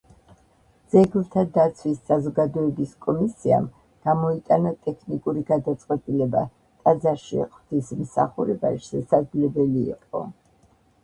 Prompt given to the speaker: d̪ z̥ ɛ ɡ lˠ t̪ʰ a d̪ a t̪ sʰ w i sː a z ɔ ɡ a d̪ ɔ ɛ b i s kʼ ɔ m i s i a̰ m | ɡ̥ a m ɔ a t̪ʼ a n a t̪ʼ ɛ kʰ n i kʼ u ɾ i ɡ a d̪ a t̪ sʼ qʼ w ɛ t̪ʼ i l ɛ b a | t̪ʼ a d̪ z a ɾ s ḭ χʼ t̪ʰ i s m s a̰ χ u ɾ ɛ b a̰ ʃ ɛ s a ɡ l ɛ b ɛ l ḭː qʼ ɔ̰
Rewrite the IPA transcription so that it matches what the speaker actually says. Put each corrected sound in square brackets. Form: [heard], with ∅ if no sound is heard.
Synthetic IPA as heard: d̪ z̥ ɛ ɡ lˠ t̪ʰ a d̪ a t̪ sʰ w i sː a z ɔ ɡ a d̪ ɔ ɛ b i s kʼ ɔ m i s i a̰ m | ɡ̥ a m ɔ [i] t̪ʼ a n a t̪ʼ ɛ kʰ n i kʼ u ɾ i ɡ a d̪ a t̪ sʼ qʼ w ɛ t̪ʼ i l ɛ b a | t̪ʼ a d̪ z a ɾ [ʃ] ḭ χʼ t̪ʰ i s m s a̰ χ u ɾ ɛ b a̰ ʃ ɛ s a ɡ l ɛ b ɛ l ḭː qʼ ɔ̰